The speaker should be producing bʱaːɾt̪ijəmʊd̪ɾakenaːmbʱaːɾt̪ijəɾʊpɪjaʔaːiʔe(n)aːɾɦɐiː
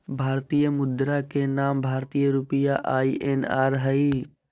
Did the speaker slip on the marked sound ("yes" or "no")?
no